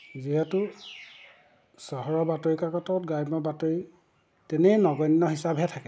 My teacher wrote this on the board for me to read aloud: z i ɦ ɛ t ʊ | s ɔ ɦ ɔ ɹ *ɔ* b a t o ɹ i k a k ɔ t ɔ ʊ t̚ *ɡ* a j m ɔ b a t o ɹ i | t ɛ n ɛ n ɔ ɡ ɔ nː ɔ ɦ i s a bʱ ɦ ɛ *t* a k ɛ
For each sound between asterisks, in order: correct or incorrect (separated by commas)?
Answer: correct, correct, incorrect